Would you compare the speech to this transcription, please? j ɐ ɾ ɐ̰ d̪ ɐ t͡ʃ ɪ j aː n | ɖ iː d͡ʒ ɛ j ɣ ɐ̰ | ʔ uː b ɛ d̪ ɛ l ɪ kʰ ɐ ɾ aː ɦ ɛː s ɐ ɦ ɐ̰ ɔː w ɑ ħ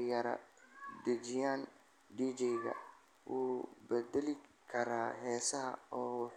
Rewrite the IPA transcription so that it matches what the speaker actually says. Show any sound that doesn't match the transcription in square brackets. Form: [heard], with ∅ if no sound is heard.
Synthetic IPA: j ɐ ɾ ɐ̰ d̪ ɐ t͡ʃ ɪ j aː n | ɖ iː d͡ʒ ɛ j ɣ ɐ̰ | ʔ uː b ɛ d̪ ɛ l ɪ kʰ ɐ ɾ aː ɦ ɛː s ɐ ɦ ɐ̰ ɔː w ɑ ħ

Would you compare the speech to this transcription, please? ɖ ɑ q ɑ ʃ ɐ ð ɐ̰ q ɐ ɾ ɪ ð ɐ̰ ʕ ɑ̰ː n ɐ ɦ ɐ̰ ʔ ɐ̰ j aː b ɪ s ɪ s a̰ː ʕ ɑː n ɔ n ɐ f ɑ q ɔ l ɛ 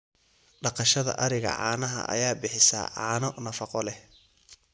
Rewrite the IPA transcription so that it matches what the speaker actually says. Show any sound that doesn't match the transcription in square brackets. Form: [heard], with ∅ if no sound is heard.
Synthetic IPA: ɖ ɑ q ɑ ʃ ɐ ð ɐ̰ [ʔ] ɐ ɾ ɪ [ɣ] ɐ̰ ʕ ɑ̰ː n ɐ ɦ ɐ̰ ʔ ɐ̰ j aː b ɪ [ħ] ɪ s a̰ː ʕ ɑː n ɔ n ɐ f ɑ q ɔ l ɛ

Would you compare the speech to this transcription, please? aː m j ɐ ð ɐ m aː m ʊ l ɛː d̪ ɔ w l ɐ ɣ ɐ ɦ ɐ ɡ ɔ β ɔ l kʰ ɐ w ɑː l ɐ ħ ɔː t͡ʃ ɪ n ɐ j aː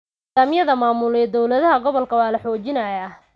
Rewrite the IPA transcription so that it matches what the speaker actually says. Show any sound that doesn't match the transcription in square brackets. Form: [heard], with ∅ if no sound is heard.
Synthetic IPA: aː m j ɐ ð ɐ m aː m ʊ l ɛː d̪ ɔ w l ɐ [ð] ɐ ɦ ɐ ɡ ɔ β ɔ l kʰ ɐ w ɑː l ɐ ħ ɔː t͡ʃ ɪ n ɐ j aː

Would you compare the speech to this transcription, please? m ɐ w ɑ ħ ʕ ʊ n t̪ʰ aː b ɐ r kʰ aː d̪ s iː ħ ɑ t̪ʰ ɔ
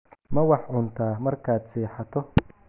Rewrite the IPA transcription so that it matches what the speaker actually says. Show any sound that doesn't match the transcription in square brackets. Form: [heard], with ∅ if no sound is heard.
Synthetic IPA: m ɐ w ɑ ħ ʕ ʊ n t̪ʰ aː [m] ɐ r kʰ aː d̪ s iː ħ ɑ t̪ʰ ɔ

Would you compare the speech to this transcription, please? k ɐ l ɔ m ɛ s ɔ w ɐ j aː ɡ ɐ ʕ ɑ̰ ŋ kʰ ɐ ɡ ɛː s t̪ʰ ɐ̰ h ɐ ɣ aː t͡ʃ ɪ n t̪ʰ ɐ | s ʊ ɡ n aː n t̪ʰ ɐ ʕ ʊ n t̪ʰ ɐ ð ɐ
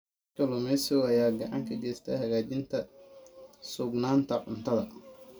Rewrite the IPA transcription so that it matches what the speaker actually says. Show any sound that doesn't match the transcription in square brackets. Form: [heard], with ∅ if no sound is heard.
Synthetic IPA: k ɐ l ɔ m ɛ s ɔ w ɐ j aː ɡ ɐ ʕ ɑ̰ ŋ kʰ ɐ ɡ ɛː s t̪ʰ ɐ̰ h ɐ ɣ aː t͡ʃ ɪ n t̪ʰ ɐ | s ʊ ɡ n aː n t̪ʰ ɐ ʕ ʊ n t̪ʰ ɐ ð ɐ

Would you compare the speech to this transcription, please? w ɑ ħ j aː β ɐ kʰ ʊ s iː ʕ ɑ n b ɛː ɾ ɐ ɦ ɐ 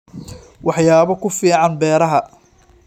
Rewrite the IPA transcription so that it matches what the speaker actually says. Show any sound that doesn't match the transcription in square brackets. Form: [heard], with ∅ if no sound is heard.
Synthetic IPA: w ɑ ħ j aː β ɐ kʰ ʊ [f] iː ʕ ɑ n b ɛː ɾ ɐ ɦ ɐ

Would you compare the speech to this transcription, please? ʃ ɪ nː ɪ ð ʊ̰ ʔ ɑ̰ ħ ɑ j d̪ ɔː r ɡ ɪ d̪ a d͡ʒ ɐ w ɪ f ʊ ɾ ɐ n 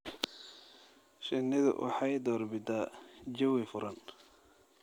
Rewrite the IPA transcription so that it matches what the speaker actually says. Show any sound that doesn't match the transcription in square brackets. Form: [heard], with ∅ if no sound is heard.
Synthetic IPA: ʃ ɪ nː ɪ ð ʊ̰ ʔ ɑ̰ ħ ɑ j d̪ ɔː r [b] ɪ d̪ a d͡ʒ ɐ w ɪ f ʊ ɾ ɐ n

